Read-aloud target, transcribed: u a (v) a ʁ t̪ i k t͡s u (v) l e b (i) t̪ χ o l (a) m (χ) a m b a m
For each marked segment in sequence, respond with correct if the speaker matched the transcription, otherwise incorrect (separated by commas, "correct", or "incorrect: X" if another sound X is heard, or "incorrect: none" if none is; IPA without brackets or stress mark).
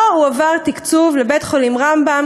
correct, correct, incorrect: e, incorrect: i, incorrect: ʁ